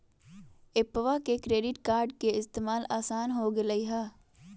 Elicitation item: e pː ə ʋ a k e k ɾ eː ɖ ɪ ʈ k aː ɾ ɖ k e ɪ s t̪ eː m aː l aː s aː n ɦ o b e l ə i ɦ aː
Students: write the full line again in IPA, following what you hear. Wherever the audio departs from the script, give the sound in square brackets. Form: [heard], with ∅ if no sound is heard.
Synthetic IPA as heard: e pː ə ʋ a k e k ɾ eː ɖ ɪ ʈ k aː ɾ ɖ k e ɪ s t̪ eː m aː l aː s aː n ɦ o [ɡ] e l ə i ɦ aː